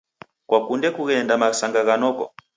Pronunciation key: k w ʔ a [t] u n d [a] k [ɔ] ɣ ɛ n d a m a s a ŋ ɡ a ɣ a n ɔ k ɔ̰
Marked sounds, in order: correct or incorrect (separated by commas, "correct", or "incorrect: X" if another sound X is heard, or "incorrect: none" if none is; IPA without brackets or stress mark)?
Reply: incorrect: k, incorrect: ɛ, incorrect: u